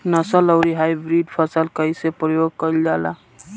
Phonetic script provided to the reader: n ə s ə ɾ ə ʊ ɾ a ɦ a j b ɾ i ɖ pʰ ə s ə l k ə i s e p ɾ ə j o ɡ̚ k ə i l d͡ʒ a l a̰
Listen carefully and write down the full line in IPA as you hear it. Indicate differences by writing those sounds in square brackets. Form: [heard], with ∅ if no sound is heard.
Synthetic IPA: n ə s ə [l] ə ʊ ɾ [i] ɦ a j b ɾ i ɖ pʰ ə s ə l k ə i s e p ɾ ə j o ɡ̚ k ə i l d͡ʒ a l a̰